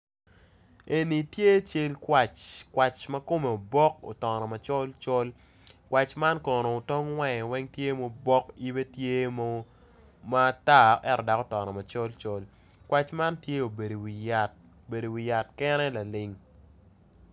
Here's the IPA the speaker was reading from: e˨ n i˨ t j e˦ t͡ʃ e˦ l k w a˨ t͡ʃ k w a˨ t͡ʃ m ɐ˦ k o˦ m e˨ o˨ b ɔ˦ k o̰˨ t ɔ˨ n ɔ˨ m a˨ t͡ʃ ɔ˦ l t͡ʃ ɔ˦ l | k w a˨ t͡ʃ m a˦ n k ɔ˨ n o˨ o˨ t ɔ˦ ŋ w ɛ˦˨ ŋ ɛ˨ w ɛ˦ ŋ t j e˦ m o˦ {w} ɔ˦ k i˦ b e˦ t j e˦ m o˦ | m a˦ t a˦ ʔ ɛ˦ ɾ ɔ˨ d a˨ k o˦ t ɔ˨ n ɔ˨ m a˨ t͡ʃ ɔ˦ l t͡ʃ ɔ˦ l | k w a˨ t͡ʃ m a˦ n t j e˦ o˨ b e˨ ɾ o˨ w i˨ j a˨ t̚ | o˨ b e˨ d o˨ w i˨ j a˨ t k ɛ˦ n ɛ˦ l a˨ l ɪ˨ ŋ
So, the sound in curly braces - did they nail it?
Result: no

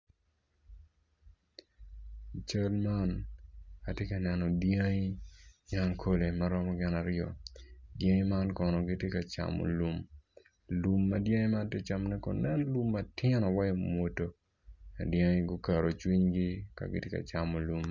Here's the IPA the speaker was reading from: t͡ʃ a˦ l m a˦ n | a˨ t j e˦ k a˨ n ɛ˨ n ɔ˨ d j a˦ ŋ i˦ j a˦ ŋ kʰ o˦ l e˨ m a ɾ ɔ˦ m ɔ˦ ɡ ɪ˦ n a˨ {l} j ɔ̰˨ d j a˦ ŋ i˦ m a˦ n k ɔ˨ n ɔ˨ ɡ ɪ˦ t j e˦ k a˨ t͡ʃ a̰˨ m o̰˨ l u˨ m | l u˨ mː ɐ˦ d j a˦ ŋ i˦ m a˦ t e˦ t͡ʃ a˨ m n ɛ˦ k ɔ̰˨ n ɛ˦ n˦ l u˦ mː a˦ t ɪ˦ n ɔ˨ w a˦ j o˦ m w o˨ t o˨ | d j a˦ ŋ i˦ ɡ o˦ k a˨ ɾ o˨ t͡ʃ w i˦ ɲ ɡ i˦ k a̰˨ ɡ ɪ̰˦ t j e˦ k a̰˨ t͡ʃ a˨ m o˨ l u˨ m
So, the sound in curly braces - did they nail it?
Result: no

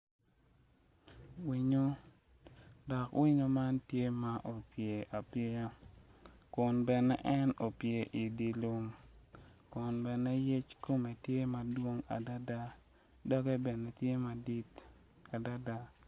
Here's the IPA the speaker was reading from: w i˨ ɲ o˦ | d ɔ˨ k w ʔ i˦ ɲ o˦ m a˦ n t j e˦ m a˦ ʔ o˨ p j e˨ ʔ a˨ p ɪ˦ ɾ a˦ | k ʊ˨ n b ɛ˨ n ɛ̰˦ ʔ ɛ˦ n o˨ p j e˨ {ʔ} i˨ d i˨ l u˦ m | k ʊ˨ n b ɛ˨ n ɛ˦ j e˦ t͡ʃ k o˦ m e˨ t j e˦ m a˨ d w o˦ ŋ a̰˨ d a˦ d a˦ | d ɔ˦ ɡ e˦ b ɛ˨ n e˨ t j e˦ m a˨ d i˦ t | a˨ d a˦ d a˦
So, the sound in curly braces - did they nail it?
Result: yes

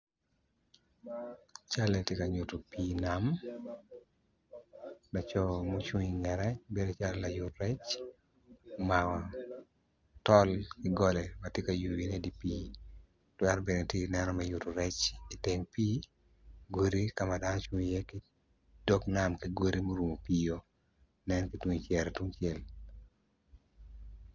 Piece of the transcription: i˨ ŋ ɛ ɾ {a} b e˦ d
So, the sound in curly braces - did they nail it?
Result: no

